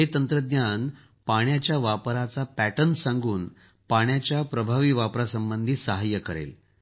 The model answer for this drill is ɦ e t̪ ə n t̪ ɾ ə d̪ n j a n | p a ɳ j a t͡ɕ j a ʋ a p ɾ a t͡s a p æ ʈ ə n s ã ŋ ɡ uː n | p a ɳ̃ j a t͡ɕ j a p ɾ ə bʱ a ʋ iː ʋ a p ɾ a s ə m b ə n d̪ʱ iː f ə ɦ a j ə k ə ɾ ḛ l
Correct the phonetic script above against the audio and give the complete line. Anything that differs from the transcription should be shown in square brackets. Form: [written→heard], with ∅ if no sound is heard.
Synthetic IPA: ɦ e t̪ ə n t̪ ɾ ə d̪ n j a n | p a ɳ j a t͡ɕ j a ʋ a p ɾ a t͡s a p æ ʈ ə n s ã ŋ ɡ uː n | p a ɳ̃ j a t͡ɕ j a p ɾ ə bʱ a ʋ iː ʋ a p ɾ a s ə m b ə n d̪ʱ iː [f→s] ə ɦ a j ə k ə ɾ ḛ l